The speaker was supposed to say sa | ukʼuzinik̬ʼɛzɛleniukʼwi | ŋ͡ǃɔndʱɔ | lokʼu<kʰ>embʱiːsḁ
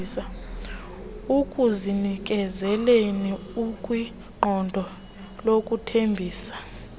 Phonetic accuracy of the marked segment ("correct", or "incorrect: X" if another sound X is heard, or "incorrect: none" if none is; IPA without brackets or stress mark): incorrect: tʰ